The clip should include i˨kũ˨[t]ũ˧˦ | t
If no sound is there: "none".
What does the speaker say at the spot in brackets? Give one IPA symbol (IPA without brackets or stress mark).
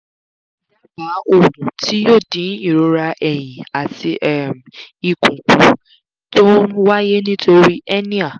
k